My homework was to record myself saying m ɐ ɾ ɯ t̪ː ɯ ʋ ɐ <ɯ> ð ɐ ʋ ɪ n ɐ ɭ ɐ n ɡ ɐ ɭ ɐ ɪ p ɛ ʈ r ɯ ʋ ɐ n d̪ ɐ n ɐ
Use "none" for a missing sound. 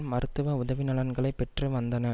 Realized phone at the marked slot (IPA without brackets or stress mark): ʊ